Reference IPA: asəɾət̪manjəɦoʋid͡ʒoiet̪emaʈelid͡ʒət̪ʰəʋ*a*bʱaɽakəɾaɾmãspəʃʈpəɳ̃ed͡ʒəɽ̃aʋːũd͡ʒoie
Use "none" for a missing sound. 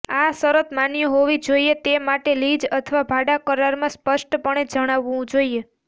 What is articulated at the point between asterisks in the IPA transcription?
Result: a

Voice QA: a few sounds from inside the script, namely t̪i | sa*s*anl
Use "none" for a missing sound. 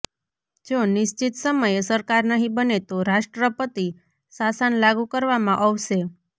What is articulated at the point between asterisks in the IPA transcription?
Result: s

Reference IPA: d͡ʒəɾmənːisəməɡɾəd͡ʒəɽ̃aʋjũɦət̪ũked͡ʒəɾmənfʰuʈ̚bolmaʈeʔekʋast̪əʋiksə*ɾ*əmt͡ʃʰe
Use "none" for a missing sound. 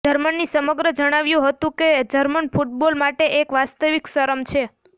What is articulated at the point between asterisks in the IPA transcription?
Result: ɾ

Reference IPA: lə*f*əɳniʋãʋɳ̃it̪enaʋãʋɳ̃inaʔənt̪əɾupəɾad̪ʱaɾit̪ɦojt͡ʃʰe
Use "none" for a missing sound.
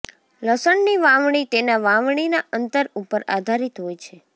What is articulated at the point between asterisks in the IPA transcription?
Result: s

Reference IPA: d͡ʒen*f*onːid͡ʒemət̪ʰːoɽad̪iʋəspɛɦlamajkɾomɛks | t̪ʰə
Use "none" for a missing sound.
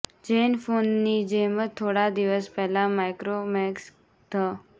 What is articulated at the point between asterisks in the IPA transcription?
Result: f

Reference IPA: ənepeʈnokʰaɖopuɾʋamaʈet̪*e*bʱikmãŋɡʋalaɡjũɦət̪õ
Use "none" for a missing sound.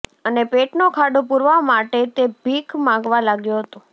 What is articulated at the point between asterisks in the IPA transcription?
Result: e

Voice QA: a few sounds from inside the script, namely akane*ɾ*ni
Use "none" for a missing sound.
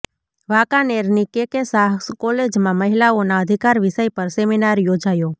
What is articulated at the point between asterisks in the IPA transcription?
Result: ɾ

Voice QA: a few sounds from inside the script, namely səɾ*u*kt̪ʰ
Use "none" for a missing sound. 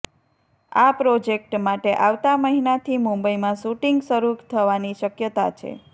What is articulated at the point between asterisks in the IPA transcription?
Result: u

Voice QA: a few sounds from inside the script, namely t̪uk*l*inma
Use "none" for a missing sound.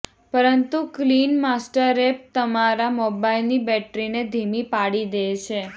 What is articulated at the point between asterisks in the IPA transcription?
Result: l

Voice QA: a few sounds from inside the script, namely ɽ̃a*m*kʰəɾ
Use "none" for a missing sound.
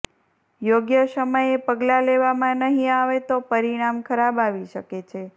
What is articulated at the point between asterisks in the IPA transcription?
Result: m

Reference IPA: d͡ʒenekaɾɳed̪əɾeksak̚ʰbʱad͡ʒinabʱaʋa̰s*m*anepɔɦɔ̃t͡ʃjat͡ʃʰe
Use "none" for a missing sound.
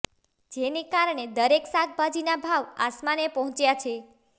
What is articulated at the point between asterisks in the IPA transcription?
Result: m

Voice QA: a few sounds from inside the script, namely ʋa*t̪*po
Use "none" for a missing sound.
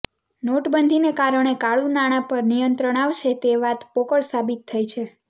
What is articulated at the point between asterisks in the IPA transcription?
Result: t̪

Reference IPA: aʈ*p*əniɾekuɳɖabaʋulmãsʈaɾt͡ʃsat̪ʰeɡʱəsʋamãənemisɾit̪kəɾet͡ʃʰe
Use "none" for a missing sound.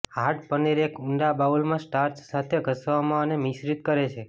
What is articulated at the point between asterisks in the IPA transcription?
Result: p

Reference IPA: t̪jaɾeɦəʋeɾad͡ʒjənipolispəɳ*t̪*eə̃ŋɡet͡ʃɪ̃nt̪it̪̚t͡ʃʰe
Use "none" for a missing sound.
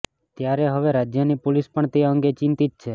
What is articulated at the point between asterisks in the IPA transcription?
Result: t̪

